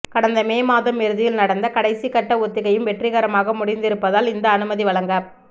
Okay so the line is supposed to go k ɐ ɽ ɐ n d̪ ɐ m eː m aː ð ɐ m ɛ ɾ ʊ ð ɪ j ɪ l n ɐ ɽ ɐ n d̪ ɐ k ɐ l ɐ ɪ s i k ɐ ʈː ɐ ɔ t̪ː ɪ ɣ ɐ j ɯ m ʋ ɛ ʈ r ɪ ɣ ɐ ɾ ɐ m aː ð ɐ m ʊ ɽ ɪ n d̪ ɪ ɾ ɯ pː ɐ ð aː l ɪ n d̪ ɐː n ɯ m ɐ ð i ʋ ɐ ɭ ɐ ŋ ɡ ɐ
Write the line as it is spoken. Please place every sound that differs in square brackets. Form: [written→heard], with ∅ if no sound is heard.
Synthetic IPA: k ɐ ɽ ɐ n d̪ ɐ m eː m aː ð ɐ m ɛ ɾ [ʊ→ɯ] ð ɪ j ɪ l n ɐ ɽ ɐ n d̪ ɐ k ɐ [l→ɽ] ɐ ɪ s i k ɐ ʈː ɐ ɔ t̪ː ɪ ɣ ɐ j ɯ m ʋ ɛ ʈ r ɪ ɣ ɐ ɾ ɐ m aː [ð→ɣ] ɐ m ʊ ɽ ɪ n d̪ ɪ ɾ ɯ pː ɐ ð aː l ɪ n d̪ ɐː n ɯ m ɐ ð i ʋ ɐ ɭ ɐ ŋ ɡ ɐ